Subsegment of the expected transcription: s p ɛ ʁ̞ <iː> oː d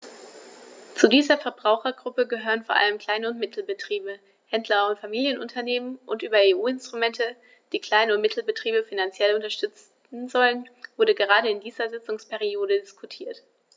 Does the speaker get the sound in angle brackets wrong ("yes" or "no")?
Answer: yes